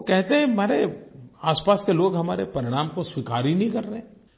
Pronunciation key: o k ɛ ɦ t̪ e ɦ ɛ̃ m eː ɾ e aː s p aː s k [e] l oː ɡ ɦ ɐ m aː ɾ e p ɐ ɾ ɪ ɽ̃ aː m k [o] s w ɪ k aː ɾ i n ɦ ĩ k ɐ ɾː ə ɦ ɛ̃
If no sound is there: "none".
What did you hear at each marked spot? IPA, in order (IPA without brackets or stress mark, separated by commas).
e, o